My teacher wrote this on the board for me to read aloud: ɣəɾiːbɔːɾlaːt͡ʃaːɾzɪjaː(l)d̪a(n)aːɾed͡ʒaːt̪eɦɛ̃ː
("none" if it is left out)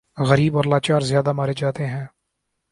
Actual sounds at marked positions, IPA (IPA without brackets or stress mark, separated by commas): none, m